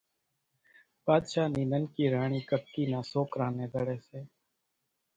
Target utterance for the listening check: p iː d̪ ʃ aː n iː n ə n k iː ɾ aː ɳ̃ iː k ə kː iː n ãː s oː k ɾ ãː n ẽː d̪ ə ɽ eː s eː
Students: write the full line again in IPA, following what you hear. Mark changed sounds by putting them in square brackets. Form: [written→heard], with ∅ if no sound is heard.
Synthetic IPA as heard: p [iː→aː] d̪ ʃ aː n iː n ə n k iː ɾ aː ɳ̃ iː k ə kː iː n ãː s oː k ɾ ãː n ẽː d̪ ə ɽ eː s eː

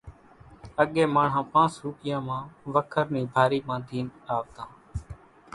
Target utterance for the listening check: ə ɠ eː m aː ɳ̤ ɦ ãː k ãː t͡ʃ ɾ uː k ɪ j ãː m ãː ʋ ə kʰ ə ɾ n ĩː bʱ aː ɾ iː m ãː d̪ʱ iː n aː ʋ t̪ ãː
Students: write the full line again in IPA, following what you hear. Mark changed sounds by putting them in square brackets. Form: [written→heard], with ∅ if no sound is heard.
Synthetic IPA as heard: ə ɠ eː m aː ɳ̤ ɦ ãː [k→p] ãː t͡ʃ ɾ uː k ɪ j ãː m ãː ʋ ə kʰ ə ɾ n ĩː bʱ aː ɾ iː m ãː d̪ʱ iː n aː ʋ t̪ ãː

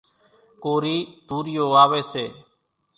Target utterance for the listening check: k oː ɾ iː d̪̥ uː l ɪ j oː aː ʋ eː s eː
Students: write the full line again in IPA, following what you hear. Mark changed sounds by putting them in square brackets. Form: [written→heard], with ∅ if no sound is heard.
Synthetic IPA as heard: k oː ɾ iː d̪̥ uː [l→ɾ] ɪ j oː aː ʋ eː s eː

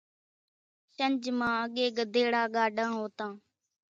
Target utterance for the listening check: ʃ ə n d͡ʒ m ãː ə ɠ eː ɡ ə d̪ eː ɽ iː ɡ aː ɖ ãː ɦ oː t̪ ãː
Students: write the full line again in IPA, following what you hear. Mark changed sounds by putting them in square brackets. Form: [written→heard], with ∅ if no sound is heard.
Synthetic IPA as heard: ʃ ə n d͡ʒ m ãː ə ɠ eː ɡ ə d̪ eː ɽ [iː→aː] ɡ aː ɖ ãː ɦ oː t̪ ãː

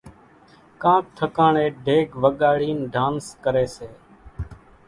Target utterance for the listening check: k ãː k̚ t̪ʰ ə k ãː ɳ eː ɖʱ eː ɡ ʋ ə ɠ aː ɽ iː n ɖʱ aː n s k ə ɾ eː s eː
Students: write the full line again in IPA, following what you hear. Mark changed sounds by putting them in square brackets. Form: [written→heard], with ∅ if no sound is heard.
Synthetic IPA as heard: k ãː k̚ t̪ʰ ə k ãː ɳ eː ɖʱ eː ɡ ʋ ə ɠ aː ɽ iː n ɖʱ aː n s k ə ɾ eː s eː

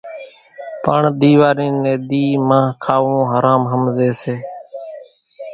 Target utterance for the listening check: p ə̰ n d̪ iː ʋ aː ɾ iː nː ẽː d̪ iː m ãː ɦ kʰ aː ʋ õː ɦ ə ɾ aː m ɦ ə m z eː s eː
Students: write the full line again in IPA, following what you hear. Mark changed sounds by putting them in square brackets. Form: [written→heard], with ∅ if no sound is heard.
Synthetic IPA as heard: p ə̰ [n→ɳ] d̪ iː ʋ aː ɾ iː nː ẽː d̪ iː m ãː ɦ kʰ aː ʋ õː ɦ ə ɾ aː m ɦ ə m z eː s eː

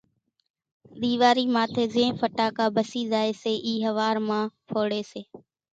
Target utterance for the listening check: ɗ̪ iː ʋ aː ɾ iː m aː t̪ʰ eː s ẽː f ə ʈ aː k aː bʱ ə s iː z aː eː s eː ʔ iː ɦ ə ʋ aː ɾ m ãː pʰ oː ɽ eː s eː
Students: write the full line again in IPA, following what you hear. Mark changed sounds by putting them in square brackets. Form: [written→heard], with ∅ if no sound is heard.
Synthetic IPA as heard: ɗ̪ iː ʋ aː ɾ iː m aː t̪ʰ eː [s→z] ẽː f ə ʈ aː k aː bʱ ə s iː z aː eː s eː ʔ iː ɦ ə ʋ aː ɾ m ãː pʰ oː ɽ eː s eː

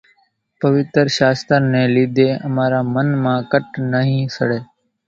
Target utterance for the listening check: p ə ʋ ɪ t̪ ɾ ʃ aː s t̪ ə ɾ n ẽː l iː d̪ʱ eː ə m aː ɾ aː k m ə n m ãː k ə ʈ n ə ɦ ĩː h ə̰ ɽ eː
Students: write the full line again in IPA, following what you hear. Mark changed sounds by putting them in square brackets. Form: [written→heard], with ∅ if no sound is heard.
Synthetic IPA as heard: p ə ʋ ɪ t̪ ɾ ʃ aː s t̪ ə ɾ n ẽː l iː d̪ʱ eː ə m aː ɾ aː [k→∅] m ə n m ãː k ə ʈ n ə ɦ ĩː [h→s] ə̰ ɽ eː

